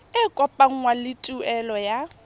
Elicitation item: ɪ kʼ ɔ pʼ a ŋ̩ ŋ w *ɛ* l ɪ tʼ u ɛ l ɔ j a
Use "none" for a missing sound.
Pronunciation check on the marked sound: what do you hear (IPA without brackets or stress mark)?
a